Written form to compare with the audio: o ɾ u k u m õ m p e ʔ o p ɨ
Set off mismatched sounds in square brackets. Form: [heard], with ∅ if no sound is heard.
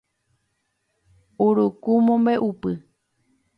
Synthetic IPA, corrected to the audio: [u] ɾ u k u m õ m [b] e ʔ [u] p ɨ